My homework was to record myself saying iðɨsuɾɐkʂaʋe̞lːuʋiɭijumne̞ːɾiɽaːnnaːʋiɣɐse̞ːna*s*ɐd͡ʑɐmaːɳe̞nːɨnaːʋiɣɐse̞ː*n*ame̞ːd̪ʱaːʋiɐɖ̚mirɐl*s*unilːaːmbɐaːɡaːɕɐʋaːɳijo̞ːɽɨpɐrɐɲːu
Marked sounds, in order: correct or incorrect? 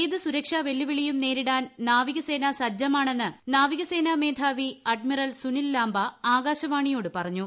correct, correct, correct

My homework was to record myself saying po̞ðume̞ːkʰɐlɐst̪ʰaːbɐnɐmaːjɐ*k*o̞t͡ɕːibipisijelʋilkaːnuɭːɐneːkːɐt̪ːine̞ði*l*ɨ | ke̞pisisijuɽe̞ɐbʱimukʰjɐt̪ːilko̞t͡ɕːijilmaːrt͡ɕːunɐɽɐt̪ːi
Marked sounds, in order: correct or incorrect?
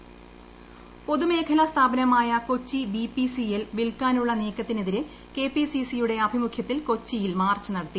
correct, incorrect: ɾ

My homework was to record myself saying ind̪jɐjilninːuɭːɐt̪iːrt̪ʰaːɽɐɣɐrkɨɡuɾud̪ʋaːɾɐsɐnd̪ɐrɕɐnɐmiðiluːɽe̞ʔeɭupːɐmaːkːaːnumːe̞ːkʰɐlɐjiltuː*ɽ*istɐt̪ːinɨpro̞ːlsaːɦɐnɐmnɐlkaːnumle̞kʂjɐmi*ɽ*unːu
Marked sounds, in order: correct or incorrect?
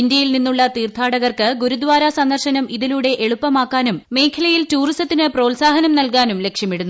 incorrect: r, correct

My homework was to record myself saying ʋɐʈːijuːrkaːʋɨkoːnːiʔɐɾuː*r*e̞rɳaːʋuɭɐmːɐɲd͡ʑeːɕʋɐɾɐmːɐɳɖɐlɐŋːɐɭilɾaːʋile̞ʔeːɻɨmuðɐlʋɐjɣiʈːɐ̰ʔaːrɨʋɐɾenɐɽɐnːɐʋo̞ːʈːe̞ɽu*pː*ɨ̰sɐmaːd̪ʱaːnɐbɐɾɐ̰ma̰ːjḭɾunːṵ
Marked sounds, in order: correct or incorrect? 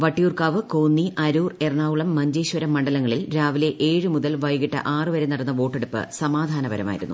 correct, correct

